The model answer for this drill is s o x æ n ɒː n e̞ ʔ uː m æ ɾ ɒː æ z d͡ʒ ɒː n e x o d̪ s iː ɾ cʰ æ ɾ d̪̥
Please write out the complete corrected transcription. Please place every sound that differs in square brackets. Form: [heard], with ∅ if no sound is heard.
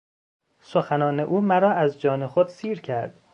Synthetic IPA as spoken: s o x æ n ɒː n e̞ ʔ uː m æ ɾ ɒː æ z d͡ʒ ɒː n e x o d̪ s iː ɾ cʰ æ ɾ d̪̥